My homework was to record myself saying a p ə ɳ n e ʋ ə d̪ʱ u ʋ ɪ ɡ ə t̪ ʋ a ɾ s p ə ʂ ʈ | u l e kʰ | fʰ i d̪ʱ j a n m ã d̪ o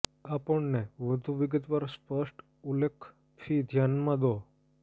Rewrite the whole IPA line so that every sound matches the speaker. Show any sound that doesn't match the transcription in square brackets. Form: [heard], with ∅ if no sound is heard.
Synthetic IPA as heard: a p ə ɳ n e ʋ ə d̪ʱ u ʋ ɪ ɡ ə t̪ ʋ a ɾ s p ə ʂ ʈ | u l e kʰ | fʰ i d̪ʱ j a n m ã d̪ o